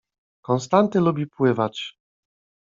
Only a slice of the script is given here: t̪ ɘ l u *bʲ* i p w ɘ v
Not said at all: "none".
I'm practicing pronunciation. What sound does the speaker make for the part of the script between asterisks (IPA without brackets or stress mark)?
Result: bʲ